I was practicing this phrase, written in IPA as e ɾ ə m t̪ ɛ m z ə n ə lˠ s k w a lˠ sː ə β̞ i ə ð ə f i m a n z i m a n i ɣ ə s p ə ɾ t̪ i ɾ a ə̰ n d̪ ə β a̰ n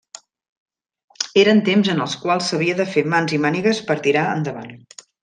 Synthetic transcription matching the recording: e ɾ ə n t̪ e m z ə n ə lˠ s k w a lˠ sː ə β̞ i ə ð ə f e m a n z i m a n i ɣ ə s p ə ɾ t̪ i ɾ a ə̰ n d̪ ə β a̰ n

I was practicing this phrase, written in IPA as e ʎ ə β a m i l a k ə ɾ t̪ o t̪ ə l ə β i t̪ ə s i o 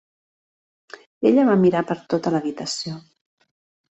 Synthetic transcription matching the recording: e ʎ ə β a m i ɾ a p ə ɾ t̪ o t̪ ə l ə β i t̪ ə s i o

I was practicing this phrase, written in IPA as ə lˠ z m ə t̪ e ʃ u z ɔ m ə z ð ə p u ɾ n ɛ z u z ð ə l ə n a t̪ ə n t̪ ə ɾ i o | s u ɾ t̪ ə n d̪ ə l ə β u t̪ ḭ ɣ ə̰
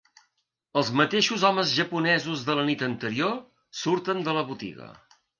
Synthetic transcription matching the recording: ə lˠ z m ə t̪ e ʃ u z ɔ m ə z ʒ ə p u n ɛ z u z ð ə l ə n i t̪ ə n t̪ ə ɾ i o | s u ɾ t̪ ə n d̪ ə l ə β u t̪ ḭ ɣ ə̰

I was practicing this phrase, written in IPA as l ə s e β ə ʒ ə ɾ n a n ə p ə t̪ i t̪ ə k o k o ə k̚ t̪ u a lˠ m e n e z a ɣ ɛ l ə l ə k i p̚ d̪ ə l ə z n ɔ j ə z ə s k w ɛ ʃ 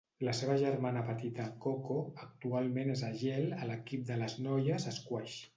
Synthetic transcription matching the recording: l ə s e β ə ʒ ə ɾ m a n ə p ə t̪ i t̪ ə k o k o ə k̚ t̪ u a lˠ m e n e z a ʒ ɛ l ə l ə k i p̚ d̪ ə l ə z n ɔ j ə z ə s k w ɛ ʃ

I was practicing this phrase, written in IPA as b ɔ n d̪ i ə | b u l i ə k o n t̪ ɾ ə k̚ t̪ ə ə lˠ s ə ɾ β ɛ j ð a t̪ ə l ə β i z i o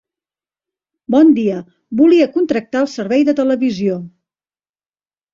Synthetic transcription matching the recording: b ɔ n d̪ i ə | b u l i ə k u n t̪ ɾ ə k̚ t̪ a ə lˠ s ə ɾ β ɛ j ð ə t̪ ə l ə β i z i o

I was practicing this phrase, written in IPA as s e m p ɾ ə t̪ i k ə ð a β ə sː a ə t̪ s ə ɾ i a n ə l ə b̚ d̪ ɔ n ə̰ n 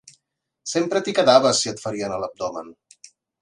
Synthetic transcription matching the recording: s e m p ɾ ə t̪ i k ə ð a β ə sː i ə t̪ f ə ɾ i ə n ə l ə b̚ d̪ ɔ m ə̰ n

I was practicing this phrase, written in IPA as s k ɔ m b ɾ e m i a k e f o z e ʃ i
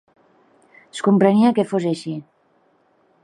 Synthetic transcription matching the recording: s k u m p ɾ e n i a k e f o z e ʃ i

